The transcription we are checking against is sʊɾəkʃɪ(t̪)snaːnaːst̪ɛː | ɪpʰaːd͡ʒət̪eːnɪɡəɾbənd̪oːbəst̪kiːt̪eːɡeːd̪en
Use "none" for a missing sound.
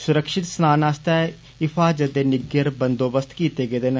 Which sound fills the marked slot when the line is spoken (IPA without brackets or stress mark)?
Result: t̪